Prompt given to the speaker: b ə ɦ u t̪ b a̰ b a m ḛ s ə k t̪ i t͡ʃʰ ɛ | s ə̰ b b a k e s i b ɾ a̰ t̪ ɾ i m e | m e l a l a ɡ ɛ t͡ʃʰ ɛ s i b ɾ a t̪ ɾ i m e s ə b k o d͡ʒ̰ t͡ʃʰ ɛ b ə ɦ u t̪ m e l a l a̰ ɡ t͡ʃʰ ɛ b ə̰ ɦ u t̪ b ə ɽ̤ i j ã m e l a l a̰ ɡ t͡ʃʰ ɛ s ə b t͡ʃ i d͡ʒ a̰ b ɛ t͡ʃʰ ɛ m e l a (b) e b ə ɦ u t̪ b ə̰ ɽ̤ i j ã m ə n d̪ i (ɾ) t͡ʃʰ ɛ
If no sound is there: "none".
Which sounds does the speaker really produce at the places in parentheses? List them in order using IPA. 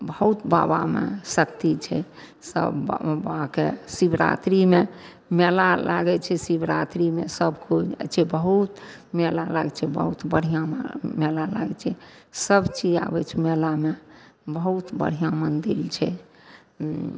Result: m, l

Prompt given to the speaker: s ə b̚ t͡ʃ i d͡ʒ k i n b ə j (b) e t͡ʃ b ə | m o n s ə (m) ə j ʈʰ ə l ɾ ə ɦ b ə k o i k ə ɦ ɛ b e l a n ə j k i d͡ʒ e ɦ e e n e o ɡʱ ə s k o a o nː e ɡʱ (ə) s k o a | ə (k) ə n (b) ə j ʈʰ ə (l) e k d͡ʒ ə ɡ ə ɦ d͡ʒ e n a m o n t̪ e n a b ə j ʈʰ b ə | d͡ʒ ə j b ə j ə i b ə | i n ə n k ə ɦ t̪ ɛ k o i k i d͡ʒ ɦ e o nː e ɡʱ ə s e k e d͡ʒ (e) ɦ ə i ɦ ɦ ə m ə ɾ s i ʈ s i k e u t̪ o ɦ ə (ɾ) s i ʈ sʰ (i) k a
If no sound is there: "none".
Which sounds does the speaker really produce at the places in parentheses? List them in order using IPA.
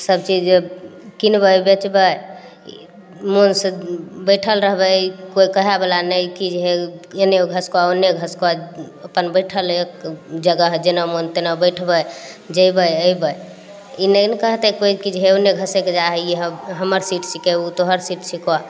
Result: b, b, ə, p, b, l, a, ɾ, i

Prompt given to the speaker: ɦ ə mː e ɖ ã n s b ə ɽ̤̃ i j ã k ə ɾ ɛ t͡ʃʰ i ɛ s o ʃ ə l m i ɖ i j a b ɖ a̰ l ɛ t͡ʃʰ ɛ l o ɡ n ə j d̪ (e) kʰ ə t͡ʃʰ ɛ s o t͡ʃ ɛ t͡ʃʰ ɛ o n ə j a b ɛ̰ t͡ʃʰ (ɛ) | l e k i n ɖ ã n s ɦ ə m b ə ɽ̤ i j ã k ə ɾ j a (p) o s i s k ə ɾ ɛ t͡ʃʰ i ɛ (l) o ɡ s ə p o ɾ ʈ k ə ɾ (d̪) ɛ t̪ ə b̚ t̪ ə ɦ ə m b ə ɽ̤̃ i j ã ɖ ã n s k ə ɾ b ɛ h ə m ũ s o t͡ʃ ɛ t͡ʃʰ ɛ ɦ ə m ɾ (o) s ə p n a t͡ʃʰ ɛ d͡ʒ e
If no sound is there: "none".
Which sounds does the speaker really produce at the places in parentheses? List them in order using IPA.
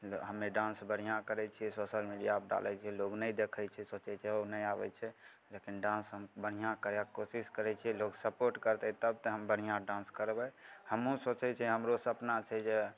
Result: e, ɛ, k, l, t̪, o

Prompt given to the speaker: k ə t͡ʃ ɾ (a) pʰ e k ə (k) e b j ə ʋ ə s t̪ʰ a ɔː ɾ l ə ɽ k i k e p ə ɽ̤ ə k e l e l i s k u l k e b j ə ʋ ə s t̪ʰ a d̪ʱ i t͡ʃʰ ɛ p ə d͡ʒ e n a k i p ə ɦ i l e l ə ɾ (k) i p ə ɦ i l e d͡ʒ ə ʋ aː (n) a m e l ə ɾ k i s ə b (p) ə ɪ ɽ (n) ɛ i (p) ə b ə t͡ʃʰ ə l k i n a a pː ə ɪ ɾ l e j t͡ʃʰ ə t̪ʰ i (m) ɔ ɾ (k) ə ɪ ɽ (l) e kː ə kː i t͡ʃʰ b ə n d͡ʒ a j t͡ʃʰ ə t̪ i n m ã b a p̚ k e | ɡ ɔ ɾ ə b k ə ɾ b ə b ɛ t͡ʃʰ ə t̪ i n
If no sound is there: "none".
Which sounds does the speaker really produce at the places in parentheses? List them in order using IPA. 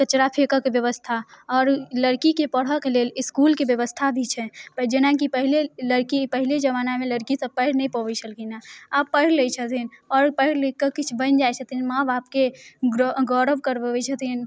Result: a, k, k, n, p, n, p, n, p, l

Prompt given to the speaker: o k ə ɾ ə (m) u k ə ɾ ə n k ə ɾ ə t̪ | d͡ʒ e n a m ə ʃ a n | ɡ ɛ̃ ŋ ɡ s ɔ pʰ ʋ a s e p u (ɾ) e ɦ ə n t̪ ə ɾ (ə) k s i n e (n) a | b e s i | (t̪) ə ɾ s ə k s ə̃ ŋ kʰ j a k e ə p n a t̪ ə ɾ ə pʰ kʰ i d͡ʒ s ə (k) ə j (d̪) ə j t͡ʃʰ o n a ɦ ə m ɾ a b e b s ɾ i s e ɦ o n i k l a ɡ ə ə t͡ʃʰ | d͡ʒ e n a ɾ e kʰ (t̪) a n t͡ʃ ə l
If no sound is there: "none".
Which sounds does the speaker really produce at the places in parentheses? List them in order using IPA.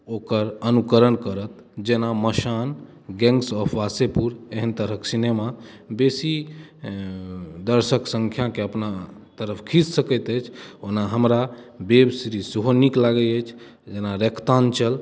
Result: n, ɾ, ə, m, d̪, k, t̪, t̪

